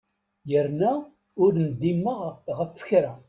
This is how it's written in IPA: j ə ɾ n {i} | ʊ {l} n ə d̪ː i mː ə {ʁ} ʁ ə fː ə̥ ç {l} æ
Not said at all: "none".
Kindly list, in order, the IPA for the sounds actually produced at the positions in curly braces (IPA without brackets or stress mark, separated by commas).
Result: æ, ɾ, ʁ, ɾ